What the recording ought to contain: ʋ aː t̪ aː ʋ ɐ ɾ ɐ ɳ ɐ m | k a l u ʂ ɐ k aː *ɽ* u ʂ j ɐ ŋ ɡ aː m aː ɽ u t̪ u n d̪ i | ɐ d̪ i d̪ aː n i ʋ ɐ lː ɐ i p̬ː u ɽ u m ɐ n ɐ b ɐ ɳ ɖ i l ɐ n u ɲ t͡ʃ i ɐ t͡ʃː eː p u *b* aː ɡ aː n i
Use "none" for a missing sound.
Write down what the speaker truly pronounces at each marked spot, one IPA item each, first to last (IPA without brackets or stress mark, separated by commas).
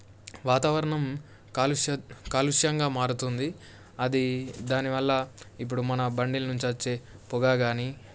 l, ɡ